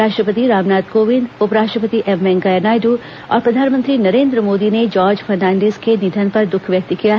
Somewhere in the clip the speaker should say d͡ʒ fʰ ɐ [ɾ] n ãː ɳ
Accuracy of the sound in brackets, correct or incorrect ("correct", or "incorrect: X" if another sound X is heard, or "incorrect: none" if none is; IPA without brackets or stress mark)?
correct